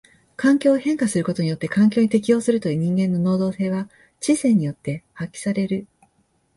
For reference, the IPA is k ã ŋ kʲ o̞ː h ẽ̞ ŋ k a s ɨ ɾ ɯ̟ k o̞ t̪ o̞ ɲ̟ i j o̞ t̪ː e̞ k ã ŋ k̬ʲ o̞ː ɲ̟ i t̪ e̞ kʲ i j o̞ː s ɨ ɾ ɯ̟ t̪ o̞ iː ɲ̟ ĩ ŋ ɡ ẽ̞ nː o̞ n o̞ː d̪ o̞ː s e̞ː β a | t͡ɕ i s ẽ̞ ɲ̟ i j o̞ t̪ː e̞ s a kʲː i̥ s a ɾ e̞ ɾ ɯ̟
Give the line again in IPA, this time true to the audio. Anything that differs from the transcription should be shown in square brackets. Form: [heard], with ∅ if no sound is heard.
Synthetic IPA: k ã ŋ kʲ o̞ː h ẽ̞ ŋ k a s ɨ ɾ ɯ̟ k o̞ t̪ o̞ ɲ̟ i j o̞ t̪ː e̞ k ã ŋ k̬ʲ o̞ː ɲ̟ i t̪ e̞ kʲ i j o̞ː s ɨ ɾ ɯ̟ t̪ o̞ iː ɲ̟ ĩ ŋ ɡ ẽ̞ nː o̞ n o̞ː d̪ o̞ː s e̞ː β a | t͡ɕ i s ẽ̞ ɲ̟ i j o̞ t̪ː e̞ [h] a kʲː i̥ s a ɾ e̞ ɾ ɯ̟

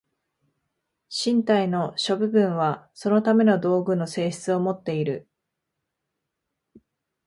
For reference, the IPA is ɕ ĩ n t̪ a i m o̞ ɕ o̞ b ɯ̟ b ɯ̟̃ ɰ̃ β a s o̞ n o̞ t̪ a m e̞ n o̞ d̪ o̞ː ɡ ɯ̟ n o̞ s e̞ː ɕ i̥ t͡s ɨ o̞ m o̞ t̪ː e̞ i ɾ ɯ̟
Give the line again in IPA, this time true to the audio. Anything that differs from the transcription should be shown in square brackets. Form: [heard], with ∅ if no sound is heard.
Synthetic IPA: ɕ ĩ n t̪ a i [n] o̞ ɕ o̞ b ɯ̟ b ɯ̟̃ ɰ̃ β a s o̞ n o̞ t̪ a m e̞ n o̞ d̪ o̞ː ɡ ɯ̟ n o̞ s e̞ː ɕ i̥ t͡s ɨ o̞ m o̞ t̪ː e̞ i ɾ ɯ̟

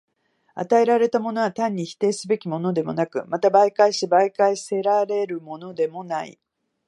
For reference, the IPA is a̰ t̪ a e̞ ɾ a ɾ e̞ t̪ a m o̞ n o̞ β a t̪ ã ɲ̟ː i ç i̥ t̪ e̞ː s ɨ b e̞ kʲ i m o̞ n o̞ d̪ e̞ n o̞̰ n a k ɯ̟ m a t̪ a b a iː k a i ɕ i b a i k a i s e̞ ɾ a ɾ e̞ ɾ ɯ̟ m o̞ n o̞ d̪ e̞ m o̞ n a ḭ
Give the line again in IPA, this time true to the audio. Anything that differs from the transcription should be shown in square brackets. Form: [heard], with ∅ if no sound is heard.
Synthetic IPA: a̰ t̪ a e̞ ɾ a ɾ e̞ t̪ a m o̞ n o̞ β a t̪ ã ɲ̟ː i ç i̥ t̪ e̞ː s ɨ b e̞ kʲ i m o̞ n o̞ d̪ e̞ [m] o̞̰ n a k ɯ̟ m a t̪ a b a [i] k a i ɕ i b a i k a i s e̞ ɾ a ɾ e̞ ɾ ɯ̟ m o̞ n o̞ d̪ e̞ m o̞ n a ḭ

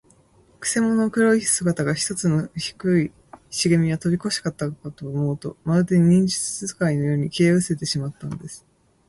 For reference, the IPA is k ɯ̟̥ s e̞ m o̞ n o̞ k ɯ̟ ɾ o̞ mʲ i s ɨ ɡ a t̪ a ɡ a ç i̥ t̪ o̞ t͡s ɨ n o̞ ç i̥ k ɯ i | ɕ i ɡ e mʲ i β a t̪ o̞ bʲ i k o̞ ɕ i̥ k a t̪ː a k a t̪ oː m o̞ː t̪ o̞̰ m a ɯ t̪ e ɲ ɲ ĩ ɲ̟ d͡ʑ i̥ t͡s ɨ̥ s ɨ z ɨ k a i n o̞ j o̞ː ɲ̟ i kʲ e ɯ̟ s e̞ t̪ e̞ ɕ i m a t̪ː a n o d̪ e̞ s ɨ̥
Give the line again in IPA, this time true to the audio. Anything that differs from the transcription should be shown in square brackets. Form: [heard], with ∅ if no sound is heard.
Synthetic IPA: k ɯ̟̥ s e̞ m o̞ n o̞ k ɯ̟ ɾ o̞ [∅] i s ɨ ɡ a t̪ a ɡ a ç i̥ t̪ o̞ t͡s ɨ n o̞ ç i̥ k ɯ i | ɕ i ɡ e mʲ i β a t̪ o̞ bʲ i k o̞ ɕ i̥ k a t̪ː a k a t̪ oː m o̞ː t̪ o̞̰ m a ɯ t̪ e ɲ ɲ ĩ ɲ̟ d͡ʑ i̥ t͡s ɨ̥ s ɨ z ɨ k a i n o̞ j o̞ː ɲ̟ i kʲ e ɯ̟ s e̞ t̪ e̞ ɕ i m a t̪ː a n o d̪ e̞ s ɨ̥

